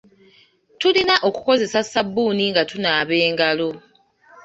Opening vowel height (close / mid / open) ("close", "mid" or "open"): close